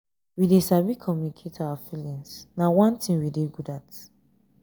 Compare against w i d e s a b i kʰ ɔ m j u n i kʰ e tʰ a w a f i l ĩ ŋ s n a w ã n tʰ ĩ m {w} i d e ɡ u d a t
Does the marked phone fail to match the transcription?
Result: no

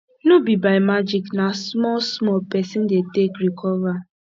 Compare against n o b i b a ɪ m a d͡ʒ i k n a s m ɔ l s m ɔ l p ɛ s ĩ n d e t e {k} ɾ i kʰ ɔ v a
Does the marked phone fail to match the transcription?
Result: no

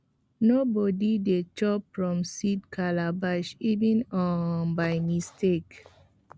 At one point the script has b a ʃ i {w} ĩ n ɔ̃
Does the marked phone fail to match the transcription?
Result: yes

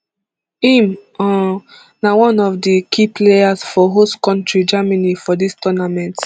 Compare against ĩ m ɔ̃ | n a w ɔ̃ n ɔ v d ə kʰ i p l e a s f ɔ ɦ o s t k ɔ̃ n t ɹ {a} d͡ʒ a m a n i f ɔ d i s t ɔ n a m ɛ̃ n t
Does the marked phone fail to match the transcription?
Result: yes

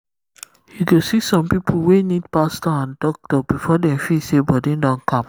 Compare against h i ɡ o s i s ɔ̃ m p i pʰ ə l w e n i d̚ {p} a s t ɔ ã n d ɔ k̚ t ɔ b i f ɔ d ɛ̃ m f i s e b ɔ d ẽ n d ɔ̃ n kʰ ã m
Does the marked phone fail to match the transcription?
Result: no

